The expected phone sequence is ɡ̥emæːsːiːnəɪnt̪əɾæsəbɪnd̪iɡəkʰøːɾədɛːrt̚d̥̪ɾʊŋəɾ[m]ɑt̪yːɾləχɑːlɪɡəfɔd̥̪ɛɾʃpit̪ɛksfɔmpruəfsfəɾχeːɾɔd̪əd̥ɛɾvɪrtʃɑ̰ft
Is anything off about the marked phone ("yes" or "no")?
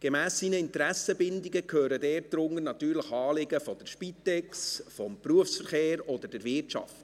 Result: yes